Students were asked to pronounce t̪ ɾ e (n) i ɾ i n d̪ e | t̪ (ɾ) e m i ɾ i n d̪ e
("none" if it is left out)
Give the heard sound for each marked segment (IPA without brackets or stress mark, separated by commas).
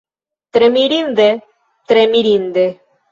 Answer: m, ɾ